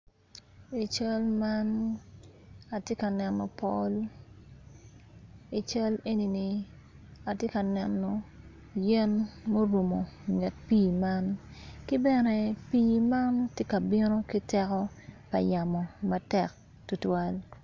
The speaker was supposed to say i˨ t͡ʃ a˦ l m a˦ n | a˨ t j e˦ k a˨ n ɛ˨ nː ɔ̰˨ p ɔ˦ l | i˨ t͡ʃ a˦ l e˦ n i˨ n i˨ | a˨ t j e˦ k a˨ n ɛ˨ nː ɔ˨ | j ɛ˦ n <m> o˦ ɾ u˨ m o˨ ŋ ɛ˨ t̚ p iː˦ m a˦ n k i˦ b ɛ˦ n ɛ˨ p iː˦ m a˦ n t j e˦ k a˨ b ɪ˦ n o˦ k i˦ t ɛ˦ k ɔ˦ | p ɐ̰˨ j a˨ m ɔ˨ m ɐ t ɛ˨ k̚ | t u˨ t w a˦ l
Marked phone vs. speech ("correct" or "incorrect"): correct